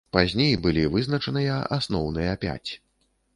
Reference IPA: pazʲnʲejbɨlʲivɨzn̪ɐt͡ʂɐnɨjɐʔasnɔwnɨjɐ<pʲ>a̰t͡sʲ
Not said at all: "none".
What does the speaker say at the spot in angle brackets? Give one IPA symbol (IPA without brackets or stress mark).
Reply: pʲ